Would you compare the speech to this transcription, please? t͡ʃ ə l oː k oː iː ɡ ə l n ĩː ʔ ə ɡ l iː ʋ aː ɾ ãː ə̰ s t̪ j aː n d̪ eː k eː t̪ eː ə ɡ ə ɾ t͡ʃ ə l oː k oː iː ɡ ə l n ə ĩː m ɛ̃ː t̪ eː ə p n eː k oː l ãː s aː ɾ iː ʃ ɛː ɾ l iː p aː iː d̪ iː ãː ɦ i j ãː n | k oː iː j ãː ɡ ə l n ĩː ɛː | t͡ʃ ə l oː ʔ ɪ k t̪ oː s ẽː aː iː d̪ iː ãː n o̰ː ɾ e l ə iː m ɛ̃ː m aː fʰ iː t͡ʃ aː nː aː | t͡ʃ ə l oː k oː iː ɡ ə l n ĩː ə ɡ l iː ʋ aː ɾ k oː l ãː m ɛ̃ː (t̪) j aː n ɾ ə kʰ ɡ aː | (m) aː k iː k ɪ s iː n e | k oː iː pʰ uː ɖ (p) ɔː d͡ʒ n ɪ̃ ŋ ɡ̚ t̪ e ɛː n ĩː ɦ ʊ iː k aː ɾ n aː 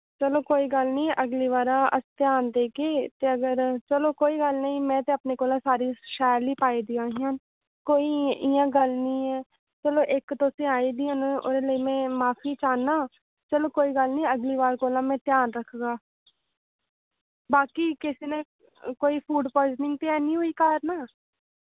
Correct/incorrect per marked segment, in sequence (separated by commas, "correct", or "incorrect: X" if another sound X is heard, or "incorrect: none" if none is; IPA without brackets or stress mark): correct, incorrect: b, correct